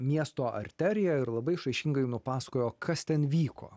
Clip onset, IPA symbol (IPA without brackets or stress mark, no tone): mʲ